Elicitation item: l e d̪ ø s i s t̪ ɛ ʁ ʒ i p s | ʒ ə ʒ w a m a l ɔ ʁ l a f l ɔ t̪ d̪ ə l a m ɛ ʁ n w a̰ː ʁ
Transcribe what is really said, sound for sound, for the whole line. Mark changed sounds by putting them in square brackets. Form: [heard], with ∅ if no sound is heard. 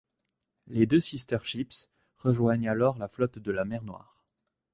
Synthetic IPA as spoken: l e d̪ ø s i s t̪ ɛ ʁ [ʃ] i p s | [ʁ] ə ʒ w a [ɲ] a l ɔ ʁ l a f l ɔ t̪ d̪ ə l a m ɛ ʁ n w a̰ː ʁ